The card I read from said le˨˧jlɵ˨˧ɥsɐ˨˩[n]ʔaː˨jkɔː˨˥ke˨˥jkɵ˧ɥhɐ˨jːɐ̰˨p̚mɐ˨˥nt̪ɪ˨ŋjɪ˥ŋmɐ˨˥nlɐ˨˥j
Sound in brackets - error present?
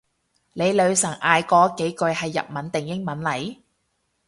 yes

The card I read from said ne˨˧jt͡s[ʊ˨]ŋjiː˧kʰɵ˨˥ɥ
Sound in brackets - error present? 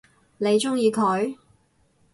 yes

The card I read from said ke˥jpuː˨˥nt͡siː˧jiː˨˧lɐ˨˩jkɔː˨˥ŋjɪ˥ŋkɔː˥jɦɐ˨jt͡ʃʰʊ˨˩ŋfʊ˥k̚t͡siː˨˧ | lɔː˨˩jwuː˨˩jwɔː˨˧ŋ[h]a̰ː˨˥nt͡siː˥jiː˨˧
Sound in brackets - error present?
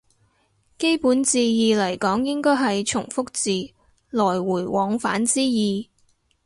yes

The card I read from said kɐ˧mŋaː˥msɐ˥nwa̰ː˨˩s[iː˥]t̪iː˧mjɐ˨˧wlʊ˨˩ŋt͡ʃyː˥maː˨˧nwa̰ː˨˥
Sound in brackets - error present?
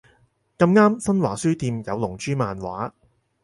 yes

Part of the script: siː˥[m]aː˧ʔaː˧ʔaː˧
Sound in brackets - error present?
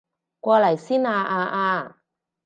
yes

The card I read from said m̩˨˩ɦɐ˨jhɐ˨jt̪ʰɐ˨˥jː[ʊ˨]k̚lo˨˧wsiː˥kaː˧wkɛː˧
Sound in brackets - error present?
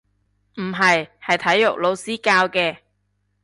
no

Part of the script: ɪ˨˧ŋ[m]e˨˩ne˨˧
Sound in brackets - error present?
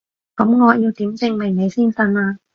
no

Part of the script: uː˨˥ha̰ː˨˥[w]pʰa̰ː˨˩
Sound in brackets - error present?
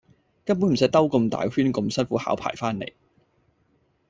no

